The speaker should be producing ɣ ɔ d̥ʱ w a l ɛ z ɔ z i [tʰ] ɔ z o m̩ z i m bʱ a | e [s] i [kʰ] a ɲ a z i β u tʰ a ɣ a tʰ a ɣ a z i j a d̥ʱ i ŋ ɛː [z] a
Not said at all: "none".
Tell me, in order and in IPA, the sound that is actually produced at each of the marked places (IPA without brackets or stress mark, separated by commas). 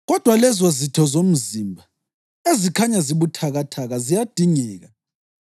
tʰ, z, kʰ, ɣ